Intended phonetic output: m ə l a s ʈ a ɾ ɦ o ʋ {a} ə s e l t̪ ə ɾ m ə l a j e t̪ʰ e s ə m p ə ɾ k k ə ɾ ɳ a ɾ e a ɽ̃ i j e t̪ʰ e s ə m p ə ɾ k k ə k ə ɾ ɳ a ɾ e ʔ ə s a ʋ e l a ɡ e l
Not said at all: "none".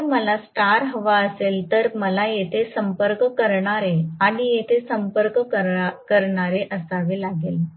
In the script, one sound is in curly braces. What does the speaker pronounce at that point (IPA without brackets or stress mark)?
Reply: a